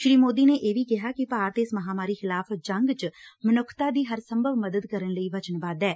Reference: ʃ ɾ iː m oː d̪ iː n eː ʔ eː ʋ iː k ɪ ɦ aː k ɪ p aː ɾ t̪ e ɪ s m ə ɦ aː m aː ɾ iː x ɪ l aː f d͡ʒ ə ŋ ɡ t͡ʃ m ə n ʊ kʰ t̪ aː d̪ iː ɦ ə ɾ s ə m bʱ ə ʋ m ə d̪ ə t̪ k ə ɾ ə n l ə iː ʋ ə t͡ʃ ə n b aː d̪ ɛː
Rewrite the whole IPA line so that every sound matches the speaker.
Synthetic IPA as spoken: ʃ ɾ iː m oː d̪ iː n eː ʔ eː ʋ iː k ɪ ɦ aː k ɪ p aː ɾ t̪ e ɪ s m ə ɦ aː m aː ɾ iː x ɪ l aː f d͡ʒ ə ŋ ɡ t͡ʃ m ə n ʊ kʰ t̪ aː d̪ iː ɦ ə ɾ s ə m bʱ ə ʋ m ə d̪ ə d̪ k ə ɾ ə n l ə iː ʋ ə t͡ʃ ə n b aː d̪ ɛː

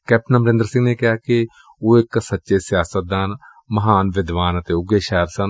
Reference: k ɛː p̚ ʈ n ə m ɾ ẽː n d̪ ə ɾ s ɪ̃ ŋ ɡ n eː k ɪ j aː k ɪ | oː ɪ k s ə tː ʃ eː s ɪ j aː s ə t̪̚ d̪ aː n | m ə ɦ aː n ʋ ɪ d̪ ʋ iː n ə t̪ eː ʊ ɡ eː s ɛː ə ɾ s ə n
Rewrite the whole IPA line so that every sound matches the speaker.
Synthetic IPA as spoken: k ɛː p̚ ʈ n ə m ɾ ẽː n d̪ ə ɾ s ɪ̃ ŋ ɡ n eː k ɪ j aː k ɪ | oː ɪ k s ə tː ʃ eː s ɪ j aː s ə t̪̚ d̪ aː n | m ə ɦ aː n ʋ ɪ d̪ ʋ aː n ə t̪ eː ʊ ɡ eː ʃ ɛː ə ɾ s ə n

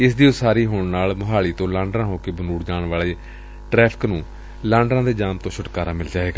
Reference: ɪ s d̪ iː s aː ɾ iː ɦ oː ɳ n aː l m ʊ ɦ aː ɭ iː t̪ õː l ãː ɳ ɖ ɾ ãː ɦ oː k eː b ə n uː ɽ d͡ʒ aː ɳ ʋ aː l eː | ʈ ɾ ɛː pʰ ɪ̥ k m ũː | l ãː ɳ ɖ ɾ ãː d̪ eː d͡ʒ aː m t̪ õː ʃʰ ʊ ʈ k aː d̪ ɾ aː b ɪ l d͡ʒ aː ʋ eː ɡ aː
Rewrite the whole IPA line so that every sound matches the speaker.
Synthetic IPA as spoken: ɪ s d̪ iː s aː ɾ iː ɦ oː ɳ n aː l m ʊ ɦ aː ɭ iː t̪ õː l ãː ɳ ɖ ɾ ãː ɦ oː k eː b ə n uː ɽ d͡ʒ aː ɳ ʋ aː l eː | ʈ ɾ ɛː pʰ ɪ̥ k n ũː | l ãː ɳ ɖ ɾ ãː d̪ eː d͡ʒ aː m t̪ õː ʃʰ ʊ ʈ k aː ɾ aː m ɪ l d͡ʒ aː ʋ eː ɡ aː

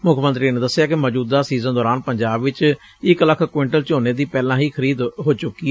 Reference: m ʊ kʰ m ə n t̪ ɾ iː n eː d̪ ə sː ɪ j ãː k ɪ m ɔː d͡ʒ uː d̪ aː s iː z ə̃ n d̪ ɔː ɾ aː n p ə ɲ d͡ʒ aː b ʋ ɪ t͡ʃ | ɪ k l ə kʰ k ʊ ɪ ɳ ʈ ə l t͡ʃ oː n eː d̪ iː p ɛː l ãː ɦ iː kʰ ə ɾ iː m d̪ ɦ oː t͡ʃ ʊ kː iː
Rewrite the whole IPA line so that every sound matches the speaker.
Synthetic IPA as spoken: m ʊ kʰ m ə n t̪ ɾ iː n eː d̪ ə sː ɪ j aː k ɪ m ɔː d͡ʒ uː d̪ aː s iː z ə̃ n d̪ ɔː ɾ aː n p ə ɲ d͡ʒ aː b ʋ ɪ t͡ʃ | ɪ k l ə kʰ k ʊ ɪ ɳ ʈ ə l t͡ʃ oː n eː d̪ iː p ɛː l ãː ɦ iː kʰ ə ɾ iː d̪ ɦ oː t͡ʃ ʊ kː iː

